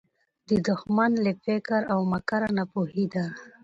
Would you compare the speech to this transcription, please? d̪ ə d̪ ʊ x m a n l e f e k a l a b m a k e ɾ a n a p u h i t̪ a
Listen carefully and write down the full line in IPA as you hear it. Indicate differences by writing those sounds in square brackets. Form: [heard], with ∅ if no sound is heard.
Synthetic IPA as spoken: d̪ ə d̪ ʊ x m a n l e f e k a [ɾ] a [w] m a k [a] ɾ a n a p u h i [d̪] a